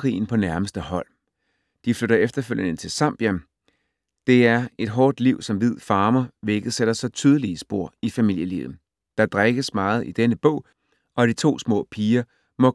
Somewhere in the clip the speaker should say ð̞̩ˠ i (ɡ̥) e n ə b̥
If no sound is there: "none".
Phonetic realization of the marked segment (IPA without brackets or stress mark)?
d̥